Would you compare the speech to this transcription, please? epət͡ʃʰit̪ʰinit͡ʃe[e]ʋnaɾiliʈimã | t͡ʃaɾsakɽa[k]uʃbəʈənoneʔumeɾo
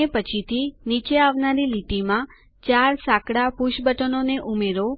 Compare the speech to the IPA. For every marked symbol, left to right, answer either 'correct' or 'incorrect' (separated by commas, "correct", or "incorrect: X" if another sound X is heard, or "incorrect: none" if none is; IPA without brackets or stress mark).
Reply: incorrect: a, incorrect: p